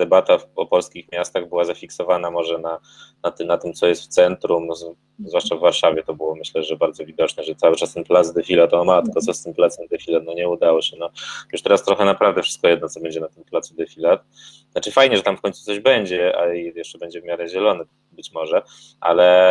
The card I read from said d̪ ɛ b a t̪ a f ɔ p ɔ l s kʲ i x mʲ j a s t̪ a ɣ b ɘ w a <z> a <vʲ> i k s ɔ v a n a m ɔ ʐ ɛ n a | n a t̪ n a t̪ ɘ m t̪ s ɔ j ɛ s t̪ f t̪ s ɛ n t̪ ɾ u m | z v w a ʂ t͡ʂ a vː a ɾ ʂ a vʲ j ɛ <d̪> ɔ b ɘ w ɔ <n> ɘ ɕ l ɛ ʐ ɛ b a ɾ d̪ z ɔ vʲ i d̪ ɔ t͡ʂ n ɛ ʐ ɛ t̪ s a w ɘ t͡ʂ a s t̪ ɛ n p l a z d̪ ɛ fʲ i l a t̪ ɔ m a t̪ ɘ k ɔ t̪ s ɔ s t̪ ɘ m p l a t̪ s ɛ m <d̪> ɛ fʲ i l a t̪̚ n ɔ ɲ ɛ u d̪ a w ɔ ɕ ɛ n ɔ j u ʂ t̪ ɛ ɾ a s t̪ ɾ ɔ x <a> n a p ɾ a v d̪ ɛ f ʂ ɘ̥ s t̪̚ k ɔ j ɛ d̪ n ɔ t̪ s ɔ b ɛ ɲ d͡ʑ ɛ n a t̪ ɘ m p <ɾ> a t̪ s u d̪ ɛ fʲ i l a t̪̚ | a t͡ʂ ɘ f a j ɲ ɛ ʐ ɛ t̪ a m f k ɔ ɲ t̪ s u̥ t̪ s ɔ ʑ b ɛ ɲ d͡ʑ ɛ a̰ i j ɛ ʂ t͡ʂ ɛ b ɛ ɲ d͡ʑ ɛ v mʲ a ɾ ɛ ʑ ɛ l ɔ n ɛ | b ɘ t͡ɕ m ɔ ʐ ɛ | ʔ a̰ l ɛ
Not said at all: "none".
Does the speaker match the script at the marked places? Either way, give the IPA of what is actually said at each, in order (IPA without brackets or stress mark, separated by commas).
z, fʲ, t̪, m, d̪, ɛ, l